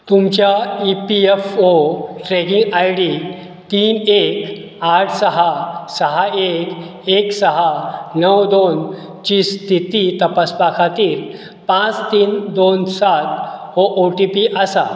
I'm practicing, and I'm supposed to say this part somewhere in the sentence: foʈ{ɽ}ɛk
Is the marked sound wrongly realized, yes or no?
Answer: yes